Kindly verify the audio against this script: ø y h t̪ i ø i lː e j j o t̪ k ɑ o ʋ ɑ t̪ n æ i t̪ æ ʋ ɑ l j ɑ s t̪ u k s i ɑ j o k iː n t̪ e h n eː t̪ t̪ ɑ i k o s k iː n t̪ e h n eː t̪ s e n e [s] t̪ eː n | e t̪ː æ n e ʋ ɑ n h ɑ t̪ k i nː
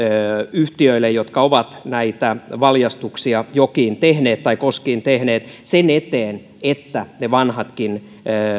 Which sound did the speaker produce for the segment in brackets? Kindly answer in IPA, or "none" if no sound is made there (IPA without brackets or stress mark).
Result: none